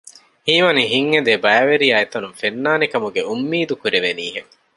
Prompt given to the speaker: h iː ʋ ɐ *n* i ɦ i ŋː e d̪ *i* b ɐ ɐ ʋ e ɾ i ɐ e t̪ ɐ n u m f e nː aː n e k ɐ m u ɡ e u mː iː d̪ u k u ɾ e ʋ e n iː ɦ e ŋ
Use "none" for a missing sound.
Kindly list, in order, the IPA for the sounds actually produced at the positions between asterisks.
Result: n, e

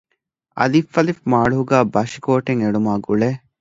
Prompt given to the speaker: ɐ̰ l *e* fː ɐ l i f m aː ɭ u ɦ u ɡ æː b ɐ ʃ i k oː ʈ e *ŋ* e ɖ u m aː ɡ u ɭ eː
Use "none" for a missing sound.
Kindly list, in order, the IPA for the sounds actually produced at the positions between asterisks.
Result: i, ŋ

